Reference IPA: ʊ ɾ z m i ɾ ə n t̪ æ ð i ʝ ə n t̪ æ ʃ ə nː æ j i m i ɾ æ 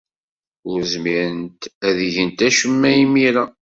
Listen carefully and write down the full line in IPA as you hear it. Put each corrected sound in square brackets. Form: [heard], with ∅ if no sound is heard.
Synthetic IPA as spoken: ʊ ɾ z m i ɾ ə n t̪ æ ð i ʝ ə n t̪ æ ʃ ə [mː] æ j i m i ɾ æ